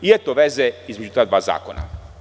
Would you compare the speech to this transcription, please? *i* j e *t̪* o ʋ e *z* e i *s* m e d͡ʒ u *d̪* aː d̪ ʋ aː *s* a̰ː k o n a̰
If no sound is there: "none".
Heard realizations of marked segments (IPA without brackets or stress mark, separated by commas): i, t̪, z, z, t̪, z